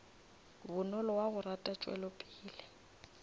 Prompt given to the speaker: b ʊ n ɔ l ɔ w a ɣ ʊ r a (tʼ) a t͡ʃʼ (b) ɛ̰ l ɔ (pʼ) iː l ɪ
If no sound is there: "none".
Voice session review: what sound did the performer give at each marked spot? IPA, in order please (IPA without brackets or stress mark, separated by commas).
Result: tʼ, w, pʼ